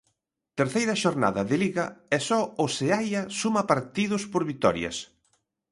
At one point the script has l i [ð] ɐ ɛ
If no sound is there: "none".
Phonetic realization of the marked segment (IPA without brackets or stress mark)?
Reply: ɣ